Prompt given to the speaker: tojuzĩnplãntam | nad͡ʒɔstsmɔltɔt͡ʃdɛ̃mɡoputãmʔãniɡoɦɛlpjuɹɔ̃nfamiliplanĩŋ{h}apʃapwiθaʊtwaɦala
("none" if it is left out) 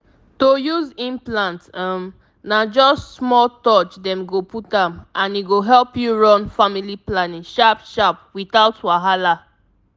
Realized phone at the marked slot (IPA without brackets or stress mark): ʃ